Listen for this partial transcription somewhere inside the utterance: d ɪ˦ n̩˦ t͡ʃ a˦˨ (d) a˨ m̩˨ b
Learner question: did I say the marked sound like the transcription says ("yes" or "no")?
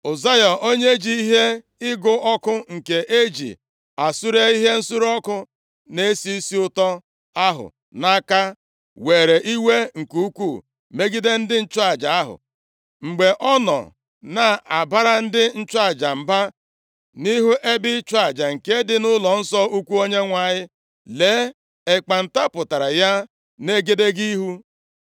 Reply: no